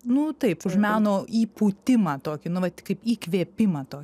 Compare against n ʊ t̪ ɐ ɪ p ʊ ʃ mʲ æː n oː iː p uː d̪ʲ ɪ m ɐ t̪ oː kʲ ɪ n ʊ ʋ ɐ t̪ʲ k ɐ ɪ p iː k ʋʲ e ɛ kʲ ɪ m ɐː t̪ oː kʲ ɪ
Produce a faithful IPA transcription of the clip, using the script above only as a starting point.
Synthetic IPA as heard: n ʊ t̪ ɐ ɪ p ʊ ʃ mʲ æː n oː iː p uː t̪ʲ ɪ m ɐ t̪ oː kʲ ɪ n ʊ ʋ ɐ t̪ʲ k ɐ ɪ p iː k ʋʲ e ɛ pʲ ɪ m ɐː t̪ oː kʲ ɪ